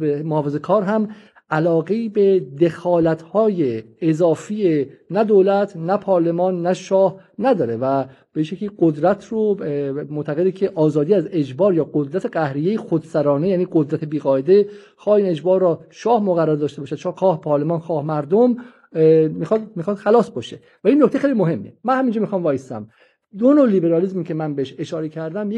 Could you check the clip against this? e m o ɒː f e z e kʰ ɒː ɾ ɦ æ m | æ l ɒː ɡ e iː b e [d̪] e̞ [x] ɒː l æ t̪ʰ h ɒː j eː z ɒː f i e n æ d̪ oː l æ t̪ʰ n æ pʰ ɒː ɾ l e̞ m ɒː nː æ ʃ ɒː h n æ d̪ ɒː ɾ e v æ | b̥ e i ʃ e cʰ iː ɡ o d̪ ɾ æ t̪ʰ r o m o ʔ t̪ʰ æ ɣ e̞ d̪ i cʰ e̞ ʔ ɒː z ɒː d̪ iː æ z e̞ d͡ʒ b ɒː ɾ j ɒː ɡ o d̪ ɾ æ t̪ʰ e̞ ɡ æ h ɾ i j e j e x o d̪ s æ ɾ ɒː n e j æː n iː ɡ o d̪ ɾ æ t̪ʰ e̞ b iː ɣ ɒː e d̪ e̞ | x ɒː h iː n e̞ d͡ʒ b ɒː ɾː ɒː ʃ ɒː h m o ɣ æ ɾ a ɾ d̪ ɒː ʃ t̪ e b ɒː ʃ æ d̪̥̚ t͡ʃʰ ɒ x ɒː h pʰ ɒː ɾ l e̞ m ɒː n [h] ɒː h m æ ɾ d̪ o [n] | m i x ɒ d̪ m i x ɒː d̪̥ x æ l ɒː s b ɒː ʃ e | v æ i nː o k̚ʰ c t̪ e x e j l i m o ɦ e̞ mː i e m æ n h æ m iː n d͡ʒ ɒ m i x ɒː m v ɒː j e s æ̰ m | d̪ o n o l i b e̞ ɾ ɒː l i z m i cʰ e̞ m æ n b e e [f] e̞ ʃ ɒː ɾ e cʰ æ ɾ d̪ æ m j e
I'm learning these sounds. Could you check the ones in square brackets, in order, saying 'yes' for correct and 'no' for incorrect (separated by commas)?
yes, yes, no, no, no